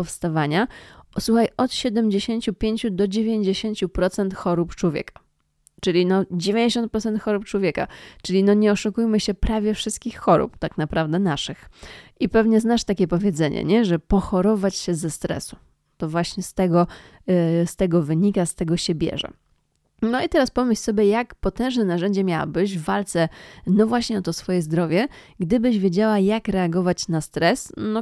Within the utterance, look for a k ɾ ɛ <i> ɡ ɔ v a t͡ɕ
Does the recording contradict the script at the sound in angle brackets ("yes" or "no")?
yes